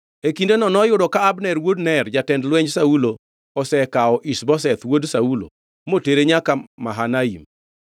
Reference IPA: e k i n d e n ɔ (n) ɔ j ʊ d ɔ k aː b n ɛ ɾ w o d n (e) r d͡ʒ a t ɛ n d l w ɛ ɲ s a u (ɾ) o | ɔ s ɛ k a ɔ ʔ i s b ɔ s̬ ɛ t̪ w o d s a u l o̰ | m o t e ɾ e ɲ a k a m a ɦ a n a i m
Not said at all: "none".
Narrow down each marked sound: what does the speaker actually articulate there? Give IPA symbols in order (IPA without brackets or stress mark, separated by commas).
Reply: n, ɛ, l